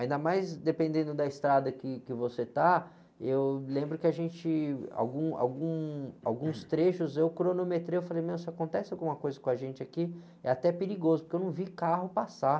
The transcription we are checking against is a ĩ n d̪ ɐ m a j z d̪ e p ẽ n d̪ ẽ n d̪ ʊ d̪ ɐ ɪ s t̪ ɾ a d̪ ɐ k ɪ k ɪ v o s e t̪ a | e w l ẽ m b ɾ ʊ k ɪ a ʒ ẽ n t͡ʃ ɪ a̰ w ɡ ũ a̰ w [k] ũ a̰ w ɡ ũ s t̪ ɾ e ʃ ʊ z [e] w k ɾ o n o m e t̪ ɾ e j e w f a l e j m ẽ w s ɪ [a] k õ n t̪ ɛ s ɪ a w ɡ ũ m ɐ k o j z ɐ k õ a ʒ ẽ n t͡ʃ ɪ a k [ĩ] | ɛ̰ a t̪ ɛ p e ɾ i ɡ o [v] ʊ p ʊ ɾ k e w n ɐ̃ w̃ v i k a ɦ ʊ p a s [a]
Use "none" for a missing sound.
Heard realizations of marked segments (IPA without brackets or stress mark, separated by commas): ɡ, e, a, i, z, a